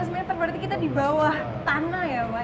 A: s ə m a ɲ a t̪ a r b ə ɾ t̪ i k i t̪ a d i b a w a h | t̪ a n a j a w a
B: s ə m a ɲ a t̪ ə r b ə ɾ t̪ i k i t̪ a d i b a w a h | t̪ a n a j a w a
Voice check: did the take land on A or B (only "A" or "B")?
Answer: B